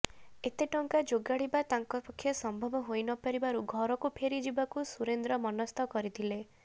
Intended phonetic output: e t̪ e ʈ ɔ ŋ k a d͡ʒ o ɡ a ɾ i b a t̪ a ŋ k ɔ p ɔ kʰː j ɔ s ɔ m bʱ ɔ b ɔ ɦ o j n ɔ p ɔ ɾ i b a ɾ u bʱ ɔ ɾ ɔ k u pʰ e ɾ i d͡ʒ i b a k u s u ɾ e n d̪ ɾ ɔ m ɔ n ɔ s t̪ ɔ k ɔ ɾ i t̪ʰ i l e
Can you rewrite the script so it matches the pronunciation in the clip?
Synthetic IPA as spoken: e t̪ e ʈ ɔ ŋ k a d͡ʒ o ɡ a ɽ i b a t̪ a ŋ k ɔ p ɔ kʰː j ɔ s ɔ m bʱ ɔ b ɔ ɦ o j n ɔ p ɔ ɾ i b a ɾ u ɡʱ ɔ ɾ ɔ k u pʰ e ɾ i d͡ʒ i b a k u s u ɾ e n d̪ ɾ ɔ m ɔ n ɔ s t̪ ɔ k ɔ ɾ i t̪ʰ i l e